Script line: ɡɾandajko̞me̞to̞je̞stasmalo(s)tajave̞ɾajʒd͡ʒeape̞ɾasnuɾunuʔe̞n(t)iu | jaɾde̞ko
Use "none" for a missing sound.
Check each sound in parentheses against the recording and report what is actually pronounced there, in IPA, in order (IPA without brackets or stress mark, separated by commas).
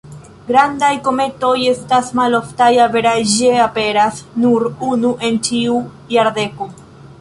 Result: f, t͡ʃ